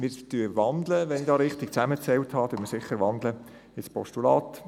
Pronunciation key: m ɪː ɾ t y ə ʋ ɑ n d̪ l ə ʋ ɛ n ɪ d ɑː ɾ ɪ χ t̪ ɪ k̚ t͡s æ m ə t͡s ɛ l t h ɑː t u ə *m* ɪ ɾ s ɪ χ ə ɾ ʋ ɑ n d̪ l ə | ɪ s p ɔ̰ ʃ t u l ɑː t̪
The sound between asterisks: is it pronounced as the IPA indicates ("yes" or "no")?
yes